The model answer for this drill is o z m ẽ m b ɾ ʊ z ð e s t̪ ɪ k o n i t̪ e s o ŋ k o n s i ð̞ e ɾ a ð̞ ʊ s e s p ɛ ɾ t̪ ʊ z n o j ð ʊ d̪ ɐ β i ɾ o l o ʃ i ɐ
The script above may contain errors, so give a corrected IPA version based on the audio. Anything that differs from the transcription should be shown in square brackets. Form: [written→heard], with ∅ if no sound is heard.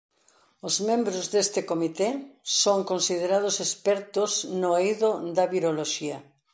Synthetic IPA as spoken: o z m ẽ m b ɾ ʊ z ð e s t̪ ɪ k o [n→m] i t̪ e s o ŋ k o n s i ð̞ e ɾ a ð̞ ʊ s e s p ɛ ɾ t̪ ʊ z n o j ð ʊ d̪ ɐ β i ɾ o l o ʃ i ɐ